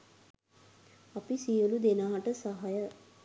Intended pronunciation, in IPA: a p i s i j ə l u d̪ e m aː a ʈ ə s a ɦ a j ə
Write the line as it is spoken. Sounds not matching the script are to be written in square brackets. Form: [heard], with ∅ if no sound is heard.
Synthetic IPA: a p i s i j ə l u d̪ e [n] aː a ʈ ə s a ɦ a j ə